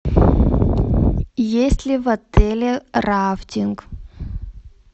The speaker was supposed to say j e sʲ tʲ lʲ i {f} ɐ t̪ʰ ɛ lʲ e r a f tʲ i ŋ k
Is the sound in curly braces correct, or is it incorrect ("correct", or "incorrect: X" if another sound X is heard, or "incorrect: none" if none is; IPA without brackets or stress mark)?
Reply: incorrect: v